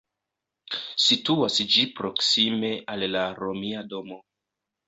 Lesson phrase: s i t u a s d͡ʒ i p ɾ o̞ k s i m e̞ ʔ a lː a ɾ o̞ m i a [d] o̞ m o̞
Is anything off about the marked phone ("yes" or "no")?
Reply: no